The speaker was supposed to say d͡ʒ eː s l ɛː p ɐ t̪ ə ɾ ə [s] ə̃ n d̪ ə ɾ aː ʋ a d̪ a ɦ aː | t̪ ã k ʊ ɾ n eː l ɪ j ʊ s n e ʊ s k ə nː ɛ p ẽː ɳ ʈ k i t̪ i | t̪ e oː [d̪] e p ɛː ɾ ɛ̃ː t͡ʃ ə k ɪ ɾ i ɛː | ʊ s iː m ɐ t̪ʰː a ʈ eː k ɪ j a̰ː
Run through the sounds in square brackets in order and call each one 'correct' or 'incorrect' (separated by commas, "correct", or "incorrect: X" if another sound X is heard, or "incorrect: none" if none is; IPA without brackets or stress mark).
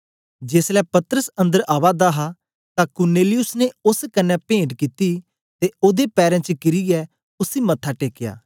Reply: correct, correct